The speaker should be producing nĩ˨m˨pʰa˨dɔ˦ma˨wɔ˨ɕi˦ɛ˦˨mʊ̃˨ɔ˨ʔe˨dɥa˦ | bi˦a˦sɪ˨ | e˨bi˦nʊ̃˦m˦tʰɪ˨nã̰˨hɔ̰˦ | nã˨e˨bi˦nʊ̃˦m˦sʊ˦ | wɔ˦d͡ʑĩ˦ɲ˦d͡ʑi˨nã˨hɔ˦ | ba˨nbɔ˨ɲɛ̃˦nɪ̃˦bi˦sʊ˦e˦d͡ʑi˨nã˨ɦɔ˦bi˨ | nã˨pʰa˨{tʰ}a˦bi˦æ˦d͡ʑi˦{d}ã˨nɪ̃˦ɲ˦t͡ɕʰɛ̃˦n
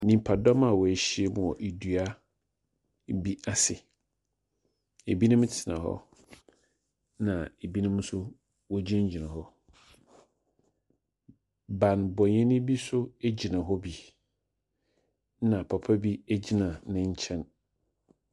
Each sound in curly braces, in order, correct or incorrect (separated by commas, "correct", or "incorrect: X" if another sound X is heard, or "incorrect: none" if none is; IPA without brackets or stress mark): incorrect: pʰ, incorrect: n